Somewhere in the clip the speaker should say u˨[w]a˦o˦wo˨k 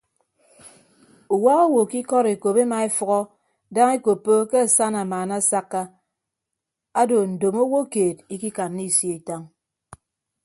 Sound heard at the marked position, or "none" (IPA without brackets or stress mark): w